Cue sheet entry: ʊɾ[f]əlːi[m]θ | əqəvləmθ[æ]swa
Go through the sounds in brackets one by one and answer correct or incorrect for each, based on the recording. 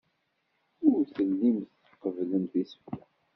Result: incorrect, correct, incorrect

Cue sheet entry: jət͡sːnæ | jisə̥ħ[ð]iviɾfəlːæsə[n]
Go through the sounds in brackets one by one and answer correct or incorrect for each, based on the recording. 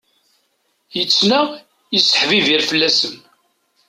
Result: incorrect, incorrect

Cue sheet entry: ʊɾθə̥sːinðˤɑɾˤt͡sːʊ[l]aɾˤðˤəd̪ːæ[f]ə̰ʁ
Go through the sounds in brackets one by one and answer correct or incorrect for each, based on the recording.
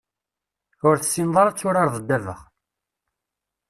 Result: incorrect, incorrect

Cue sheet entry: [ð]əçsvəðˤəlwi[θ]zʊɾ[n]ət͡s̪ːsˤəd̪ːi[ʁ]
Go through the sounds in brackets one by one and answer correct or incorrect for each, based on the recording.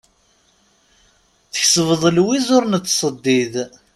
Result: incorrect, incorrect, correct, incorrect

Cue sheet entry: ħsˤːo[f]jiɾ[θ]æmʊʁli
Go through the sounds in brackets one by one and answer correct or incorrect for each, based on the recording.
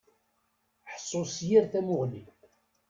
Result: incorrect, correct

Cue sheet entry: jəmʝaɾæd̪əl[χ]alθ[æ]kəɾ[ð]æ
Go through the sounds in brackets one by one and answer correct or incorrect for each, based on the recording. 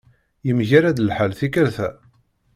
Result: incorrect, incorrect, incorrect

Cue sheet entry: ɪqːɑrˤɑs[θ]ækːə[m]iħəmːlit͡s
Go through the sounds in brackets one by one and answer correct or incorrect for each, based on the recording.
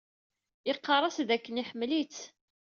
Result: incorrect, incorrect

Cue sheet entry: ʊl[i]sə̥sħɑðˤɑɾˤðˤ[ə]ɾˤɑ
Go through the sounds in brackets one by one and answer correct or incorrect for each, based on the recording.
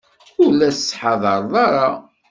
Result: incorrect, incorrect

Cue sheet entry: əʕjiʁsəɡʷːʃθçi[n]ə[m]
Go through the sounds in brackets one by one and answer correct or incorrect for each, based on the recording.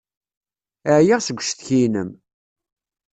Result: correct, correct

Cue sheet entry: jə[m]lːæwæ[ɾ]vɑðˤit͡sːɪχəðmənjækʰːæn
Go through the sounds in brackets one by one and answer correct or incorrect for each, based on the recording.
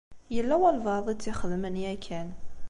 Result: incorrect, incorrect

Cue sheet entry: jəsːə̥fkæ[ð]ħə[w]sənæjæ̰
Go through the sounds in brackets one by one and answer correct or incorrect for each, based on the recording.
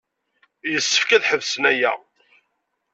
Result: correct, incorrect

